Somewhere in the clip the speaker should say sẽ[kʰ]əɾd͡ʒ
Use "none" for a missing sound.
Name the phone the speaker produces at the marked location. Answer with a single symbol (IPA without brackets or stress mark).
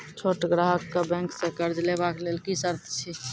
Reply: k